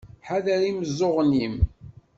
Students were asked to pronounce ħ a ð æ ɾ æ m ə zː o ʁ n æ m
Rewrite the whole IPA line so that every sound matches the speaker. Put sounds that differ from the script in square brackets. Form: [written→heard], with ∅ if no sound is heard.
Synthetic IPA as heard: ħ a ð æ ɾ [æ→i] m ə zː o ʁ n [æ→i] m